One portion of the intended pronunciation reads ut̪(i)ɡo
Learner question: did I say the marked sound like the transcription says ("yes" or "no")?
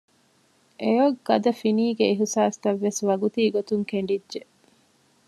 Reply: no